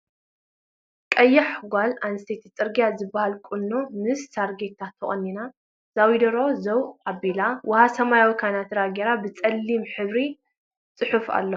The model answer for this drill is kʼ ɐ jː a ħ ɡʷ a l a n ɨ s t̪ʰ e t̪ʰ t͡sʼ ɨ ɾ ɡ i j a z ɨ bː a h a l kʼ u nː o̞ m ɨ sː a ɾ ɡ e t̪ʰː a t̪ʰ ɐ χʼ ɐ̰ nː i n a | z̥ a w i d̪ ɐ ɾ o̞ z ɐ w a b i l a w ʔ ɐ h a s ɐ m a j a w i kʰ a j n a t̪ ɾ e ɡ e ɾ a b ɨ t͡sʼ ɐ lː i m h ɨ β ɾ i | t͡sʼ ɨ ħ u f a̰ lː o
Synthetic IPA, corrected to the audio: kʼ ɐ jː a ħ ɡʷ a l a n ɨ s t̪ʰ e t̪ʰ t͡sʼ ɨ ɾ ɡ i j a z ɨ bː a h a l kʼ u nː o̞ m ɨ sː a ɾ ɡ e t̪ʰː a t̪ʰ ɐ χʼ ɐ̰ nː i n a | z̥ a w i d̪ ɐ ɾ o̞ z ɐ w a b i l a w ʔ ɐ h a s ɐ m a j a w i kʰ a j n a t̪ ɾ a ɡ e ɾ a b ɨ t͡sʼ ɐ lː i m ħ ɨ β ɾ i | t͡sʼ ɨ ħ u f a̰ lː o